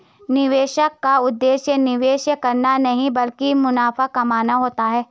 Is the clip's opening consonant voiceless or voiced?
voiced